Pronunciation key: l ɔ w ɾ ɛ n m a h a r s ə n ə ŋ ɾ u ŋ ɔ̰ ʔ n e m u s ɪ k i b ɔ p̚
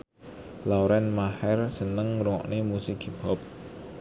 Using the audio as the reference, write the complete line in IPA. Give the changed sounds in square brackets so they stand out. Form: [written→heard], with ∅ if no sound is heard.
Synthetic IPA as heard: l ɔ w ɾ ɛ n m a h [a→ɛ] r s ə n ə ŋ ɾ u ŋ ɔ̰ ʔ n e m u s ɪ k i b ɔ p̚